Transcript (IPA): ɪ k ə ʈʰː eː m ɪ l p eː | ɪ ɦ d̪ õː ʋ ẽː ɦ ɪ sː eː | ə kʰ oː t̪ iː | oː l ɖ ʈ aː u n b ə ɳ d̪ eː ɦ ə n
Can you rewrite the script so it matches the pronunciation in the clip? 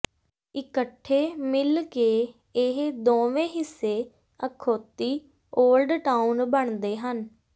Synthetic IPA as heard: ɪ k ə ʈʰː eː m ɪ l k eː | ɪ ɦ d̪ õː ʋ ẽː ɦ ɪ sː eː | ə kʰ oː t̪ iː | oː l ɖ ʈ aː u n b ə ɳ d̪ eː ɦ ə n